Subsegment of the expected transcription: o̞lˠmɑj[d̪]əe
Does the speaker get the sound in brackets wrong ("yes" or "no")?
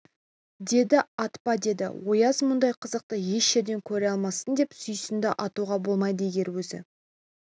no